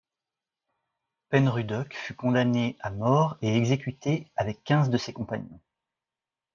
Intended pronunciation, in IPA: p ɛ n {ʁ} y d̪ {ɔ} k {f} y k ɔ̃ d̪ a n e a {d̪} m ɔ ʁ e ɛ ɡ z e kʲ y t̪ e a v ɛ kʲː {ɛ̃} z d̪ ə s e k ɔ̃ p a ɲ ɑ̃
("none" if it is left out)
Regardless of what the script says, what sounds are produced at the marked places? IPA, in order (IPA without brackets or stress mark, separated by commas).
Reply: ʁ, ɔ, f, none, ɛ̃